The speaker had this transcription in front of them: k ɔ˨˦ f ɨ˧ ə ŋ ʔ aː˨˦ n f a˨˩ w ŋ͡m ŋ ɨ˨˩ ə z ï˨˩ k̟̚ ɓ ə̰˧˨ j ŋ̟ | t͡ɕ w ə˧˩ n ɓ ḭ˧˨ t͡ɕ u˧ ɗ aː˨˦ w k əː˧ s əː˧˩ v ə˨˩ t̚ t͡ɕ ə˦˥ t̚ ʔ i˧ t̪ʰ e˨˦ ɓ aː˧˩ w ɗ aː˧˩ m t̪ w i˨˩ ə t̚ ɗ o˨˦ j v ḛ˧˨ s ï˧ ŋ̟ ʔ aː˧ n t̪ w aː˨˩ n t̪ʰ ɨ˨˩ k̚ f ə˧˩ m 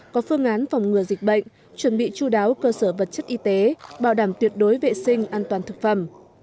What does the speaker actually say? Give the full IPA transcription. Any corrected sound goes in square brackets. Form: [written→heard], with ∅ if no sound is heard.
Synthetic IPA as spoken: k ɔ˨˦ f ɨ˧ ə ŋ ʔ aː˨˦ n f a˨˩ w ŋ͡m ŋ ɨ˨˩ ə z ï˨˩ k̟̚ ɓ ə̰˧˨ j ŋ̟ | t͡ɕ w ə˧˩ n ɓ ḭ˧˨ t͡ɕ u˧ ɗ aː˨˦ w k əː˧ s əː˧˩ v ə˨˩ t̚ t͡ɕ ə˦˥ t̚ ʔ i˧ [t̪ʰ→t̪] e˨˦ ɓ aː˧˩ w ɗ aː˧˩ m t̪ w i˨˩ ə t̚ ɗ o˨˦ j v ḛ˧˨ s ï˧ ŋ̟ ʔ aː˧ n t̪ w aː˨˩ n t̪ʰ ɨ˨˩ k̚ f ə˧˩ m

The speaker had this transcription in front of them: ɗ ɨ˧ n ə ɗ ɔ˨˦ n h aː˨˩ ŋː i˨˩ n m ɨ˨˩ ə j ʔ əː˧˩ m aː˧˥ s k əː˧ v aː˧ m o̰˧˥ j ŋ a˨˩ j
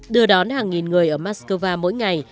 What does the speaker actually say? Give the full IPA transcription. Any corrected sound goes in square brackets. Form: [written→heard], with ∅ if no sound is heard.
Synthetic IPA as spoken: ɗ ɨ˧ [n→∅] ə ɗ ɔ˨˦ n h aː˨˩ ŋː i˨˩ n [m→ŋ] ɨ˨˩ ə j ʔ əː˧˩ m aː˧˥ s k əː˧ v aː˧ m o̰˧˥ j ŋ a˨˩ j

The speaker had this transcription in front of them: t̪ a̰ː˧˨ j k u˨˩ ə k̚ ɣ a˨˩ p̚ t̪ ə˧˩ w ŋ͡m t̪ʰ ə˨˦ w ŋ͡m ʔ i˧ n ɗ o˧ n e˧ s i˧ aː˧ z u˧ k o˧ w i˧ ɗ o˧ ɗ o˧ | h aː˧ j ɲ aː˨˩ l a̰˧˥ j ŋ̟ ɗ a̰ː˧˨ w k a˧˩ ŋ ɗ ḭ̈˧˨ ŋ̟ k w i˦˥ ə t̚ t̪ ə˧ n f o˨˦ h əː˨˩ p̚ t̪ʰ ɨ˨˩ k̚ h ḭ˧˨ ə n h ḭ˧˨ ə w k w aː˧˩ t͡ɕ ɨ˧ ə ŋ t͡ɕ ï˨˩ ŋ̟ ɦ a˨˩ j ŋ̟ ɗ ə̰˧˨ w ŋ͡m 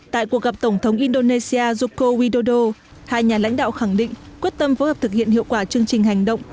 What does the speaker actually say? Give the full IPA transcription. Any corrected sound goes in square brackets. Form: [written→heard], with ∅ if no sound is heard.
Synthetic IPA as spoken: t̪ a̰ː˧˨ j k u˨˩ ə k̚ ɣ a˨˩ p̚ t̪ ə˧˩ w ŋ͡m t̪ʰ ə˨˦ w ŋ͡m ʔ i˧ n ɗ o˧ n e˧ s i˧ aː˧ z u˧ k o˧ w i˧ ɗ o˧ ɗ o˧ | h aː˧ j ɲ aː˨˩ l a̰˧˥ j ŋ̟ ɗ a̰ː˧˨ w [k→x] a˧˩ ŋ ɗ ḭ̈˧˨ ŋ̟ k w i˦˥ ə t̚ t̪ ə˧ [n→m] f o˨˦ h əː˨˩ p̚ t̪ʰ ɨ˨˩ k̚ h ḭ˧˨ ə n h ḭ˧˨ ə w k w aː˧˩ t͡ɕ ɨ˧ ə ŋ t͡ɕ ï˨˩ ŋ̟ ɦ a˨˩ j ŋ̟ ɗ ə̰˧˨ w ŋ͡m

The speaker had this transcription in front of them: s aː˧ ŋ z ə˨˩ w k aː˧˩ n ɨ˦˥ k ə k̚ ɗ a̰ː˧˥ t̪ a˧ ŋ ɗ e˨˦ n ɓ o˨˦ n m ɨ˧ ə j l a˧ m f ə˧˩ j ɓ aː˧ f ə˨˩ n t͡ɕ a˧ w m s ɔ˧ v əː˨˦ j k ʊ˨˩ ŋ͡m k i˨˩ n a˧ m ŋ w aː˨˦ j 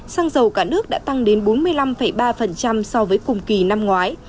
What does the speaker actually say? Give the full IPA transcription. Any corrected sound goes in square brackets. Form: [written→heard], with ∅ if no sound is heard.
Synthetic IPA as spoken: s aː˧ ŋ z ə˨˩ w k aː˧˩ n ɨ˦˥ [k→∅] ə k̚ ɗ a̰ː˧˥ t̪ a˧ ŋ ɗ e˨˦ n ɓ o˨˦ n m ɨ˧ ə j l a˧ m f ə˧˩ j ɓ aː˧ f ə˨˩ n t͡ɕ a˧ [w→∅] m s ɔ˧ v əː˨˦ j k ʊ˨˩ ŋ͡m k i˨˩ n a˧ m ŋ w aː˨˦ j

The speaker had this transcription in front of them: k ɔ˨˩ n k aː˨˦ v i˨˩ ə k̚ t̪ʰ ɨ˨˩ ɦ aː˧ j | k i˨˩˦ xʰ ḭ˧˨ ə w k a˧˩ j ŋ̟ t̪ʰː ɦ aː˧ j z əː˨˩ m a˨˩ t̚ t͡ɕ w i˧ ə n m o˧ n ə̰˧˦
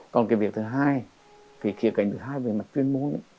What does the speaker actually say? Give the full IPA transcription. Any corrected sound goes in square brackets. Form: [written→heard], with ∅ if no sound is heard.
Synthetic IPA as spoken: k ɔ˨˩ n k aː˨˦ v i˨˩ ə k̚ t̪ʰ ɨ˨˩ ɦ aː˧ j | k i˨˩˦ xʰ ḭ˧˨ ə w k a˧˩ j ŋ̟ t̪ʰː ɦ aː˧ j [z→v] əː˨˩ m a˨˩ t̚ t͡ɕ w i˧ ə n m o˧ n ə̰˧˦

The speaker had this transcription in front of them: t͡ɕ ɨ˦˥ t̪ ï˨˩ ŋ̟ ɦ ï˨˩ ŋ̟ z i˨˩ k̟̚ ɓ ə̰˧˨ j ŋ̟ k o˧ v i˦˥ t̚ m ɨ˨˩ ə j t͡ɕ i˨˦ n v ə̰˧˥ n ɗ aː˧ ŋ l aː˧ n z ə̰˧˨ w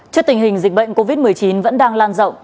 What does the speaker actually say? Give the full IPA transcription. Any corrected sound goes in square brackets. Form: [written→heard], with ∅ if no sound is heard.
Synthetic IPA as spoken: t͡ɕ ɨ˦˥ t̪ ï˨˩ ŋ̟ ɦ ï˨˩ ŋ̟ z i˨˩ k̟̚ ɓ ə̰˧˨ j ŋ̟ k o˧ v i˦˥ t̚ m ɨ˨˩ ə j t͡ɕ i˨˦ n v ə̰˧˥ n ɗ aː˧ ŋ l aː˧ n z ə̰˧˨ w

